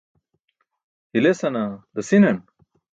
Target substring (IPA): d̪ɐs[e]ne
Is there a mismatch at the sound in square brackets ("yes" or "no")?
yes